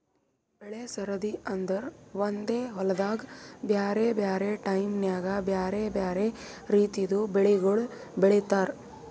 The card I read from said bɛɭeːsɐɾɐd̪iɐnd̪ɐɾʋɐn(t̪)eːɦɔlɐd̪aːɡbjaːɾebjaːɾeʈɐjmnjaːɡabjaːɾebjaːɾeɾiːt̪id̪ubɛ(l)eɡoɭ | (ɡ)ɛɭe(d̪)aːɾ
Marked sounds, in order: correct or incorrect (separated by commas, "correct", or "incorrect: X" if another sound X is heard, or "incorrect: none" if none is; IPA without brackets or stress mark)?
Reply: incorrect: d̪, incorrect: ɭ, incorrect: b, incorrect: t̪